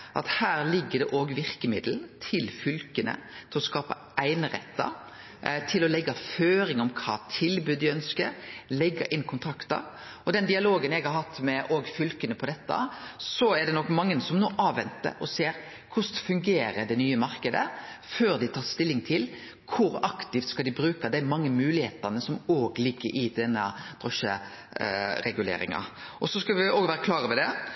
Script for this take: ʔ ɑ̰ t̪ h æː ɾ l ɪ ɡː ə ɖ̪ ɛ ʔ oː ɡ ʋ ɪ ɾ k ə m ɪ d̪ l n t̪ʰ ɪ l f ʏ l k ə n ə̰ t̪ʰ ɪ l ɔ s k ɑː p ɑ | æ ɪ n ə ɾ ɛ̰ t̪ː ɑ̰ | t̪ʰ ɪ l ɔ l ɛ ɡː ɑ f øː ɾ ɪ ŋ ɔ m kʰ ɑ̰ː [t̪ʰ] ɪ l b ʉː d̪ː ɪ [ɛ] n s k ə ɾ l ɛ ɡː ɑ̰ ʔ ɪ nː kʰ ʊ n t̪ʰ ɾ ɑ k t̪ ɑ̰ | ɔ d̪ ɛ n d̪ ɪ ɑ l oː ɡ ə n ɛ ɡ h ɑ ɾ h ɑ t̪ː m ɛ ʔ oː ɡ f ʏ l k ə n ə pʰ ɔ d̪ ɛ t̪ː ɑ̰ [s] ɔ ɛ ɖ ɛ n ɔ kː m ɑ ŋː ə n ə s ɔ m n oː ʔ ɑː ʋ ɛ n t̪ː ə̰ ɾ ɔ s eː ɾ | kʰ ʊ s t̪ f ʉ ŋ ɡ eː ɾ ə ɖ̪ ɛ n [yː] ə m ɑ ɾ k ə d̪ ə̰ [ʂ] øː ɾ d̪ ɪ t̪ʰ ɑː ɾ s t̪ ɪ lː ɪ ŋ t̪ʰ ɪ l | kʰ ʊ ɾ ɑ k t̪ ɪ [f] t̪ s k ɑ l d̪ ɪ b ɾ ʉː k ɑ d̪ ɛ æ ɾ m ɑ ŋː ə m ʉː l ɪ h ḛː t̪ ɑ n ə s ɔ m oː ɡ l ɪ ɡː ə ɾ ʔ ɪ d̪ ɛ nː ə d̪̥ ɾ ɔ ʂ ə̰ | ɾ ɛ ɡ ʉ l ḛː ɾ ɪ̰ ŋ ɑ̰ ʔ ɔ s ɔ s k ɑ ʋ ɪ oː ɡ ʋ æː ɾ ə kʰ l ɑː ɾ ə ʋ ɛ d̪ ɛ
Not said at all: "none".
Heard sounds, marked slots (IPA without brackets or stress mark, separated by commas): t̪ʰ, œ, s, yː, f, f